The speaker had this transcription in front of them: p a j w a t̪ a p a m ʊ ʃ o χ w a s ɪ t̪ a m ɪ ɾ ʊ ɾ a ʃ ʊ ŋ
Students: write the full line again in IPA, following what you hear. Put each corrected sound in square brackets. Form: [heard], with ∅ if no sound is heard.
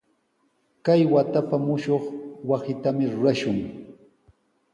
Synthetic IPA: [k] a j w a t̪ a p a m ʊ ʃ o χ w a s ɪ t̪ a m ɪ ɾ ʊ ɾ a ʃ ʊ ŋ